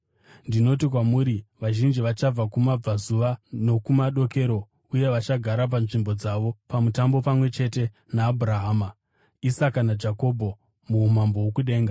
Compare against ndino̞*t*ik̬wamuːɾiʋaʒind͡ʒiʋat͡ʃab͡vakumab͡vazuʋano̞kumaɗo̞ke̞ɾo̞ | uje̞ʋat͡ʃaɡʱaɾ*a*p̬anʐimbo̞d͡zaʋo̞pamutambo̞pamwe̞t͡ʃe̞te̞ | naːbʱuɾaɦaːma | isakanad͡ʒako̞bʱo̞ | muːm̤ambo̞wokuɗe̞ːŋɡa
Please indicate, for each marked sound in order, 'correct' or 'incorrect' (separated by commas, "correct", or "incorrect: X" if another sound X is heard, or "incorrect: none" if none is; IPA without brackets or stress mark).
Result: correct, correct